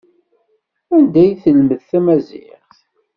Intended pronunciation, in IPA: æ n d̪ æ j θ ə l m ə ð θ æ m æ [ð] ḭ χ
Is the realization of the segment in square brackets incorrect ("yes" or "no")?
yes